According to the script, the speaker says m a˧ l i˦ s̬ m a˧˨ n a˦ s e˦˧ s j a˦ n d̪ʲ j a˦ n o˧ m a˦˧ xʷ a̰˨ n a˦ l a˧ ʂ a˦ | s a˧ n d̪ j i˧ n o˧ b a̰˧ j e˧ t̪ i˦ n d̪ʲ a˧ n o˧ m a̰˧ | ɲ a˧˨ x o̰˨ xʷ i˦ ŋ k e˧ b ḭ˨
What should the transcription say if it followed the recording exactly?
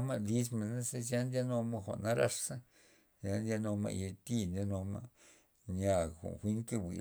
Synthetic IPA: m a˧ l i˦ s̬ m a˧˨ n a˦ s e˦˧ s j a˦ n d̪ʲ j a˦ n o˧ m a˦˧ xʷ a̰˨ n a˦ ɾ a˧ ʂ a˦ | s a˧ n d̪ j a˧ n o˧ m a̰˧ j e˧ t̪ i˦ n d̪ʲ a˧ n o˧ m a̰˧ | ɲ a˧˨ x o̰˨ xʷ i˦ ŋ k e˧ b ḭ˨

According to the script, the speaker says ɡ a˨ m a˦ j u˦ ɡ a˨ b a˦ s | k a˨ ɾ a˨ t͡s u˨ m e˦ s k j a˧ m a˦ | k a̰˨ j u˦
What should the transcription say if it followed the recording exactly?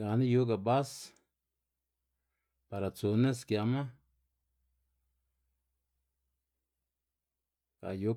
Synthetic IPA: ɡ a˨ n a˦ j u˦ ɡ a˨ b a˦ s | p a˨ ɾ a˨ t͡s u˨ n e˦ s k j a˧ m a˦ | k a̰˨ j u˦

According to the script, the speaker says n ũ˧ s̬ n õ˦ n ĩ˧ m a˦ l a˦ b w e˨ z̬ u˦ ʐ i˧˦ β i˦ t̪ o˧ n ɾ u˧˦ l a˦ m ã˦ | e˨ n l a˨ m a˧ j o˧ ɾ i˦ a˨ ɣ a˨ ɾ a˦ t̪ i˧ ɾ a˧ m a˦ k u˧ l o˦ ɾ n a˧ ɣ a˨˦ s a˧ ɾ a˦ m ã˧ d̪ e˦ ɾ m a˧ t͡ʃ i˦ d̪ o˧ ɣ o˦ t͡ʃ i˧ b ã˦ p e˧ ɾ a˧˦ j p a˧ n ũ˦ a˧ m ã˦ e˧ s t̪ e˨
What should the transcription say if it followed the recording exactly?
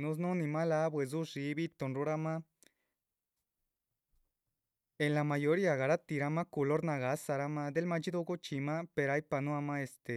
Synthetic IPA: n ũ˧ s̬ n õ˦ n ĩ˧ m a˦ l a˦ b w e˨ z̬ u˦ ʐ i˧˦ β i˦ t̪ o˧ n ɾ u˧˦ ɾ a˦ m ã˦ | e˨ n l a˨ m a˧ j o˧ ɾ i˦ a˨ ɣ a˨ ɾ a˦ t̪ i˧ ɾ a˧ m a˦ k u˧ l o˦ ɾ n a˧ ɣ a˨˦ s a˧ ɾ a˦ m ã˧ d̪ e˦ l m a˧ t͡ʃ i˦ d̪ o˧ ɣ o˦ t͡ʃ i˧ m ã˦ p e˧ ɾ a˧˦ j p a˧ n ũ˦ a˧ m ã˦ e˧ s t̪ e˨

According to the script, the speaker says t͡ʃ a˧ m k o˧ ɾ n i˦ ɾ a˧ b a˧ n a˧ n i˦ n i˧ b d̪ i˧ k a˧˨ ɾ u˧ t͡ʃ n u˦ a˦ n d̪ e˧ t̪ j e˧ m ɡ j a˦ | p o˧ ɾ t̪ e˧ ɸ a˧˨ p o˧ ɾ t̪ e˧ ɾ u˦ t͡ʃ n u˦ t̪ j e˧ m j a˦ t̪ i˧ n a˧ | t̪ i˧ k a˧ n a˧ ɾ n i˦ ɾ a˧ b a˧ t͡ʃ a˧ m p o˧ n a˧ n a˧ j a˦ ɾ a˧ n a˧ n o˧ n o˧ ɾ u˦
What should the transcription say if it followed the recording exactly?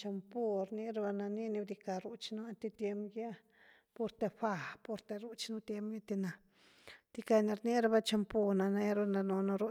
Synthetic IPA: t͡ʃ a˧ m p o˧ ɾ n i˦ ɾ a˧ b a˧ n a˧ n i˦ n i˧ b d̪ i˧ k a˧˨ ɾ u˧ t͡ʃ n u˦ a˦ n t̪ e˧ t̪ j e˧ m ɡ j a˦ | p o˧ ɾ t̪ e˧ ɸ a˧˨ p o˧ ɾ t̪ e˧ ɾ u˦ t͡ʃ n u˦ t̪ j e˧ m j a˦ t̪ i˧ n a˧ | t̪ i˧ k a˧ n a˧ ɾ n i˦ ɾ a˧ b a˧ t͡ʃ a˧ m p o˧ n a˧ n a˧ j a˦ ɾ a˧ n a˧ n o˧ n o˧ ɾ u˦

